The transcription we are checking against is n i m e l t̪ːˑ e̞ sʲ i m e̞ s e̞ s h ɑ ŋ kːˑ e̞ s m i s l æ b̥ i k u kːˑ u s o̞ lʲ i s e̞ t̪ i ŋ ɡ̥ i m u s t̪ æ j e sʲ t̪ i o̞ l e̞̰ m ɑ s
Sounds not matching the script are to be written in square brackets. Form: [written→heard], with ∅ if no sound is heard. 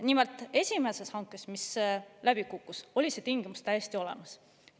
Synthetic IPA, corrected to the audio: n i m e l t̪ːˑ e̞ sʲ i m e̞ s e̞ s h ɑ ŋ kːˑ e̞ s m i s l æ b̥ i k u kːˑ u s o̞ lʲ i s e̞ t̪ i ŋ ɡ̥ i m u s t̪ æ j e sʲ t̪ i o̞ l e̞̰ m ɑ s